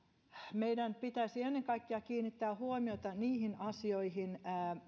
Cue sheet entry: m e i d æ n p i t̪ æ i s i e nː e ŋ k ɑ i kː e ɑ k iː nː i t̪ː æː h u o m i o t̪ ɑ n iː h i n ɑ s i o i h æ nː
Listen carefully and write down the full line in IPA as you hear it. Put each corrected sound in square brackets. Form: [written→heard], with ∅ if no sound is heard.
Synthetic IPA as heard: m e i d æ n p i t̪ æ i s i e nː e ŋ k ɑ i kː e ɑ k iː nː i t̪ː æː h u o m i o t̪ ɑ n iː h i n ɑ s i o i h [æ→i] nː